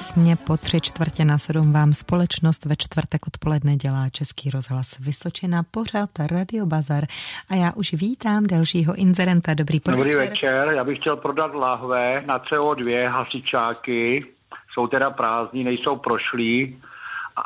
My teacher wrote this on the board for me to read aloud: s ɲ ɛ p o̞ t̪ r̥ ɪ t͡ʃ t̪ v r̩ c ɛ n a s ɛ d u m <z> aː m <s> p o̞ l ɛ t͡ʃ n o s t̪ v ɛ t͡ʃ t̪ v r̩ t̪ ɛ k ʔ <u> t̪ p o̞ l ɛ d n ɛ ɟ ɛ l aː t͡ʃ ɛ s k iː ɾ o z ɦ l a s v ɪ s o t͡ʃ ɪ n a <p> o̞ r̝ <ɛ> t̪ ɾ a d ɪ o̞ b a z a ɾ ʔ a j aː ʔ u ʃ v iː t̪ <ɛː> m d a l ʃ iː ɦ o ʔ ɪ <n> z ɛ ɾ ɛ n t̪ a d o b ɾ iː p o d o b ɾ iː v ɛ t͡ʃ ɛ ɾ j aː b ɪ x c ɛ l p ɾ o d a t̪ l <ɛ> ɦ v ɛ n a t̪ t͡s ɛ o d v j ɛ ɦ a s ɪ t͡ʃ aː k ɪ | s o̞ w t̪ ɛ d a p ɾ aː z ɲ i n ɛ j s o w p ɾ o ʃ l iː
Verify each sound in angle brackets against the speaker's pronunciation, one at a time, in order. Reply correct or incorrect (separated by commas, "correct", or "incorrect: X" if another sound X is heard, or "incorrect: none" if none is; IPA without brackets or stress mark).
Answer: incorrect: v, correct, incorrect: o, correct, incorrect: a, incorrect: aː, correct, incorrect: a